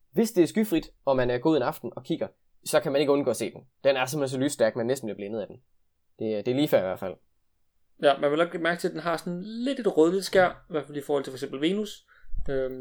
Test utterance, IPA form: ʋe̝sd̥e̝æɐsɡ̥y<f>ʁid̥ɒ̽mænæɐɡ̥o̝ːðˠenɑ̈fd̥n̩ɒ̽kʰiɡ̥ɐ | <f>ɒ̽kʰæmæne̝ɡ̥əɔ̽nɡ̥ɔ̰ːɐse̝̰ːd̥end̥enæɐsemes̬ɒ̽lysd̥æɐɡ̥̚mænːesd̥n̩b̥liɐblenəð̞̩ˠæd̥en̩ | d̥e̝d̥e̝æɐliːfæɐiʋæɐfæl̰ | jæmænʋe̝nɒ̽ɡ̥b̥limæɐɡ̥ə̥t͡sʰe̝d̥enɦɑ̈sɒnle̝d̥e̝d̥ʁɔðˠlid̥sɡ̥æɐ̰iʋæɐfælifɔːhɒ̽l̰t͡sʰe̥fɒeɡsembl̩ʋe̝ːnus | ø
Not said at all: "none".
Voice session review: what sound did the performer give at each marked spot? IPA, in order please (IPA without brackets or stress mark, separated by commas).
f, s